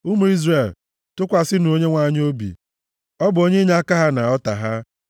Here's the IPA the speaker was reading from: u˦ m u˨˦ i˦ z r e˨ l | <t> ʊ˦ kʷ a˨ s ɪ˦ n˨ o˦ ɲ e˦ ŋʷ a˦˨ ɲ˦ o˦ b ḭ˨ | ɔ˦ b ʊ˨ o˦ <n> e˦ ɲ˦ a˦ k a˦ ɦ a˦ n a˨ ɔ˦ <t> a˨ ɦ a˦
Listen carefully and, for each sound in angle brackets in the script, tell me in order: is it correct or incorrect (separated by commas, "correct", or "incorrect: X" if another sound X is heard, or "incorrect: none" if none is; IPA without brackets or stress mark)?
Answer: correct, incorrect: ɲ, correct